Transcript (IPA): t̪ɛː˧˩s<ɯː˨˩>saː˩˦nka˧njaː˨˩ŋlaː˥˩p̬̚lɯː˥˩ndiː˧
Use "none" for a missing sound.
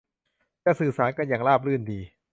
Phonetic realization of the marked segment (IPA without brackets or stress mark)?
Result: ɯː˨˩